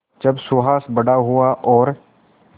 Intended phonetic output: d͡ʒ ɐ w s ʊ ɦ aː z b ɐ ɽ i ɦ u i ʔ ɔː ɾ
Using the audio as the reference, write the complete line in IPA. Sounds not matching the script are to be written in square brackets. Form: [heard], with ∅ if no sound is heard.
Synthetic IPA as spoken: d͡ʒ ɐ [b] s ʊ ɦ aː [s] b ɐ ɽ [a] ɦ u [a] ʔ ɔː ɾ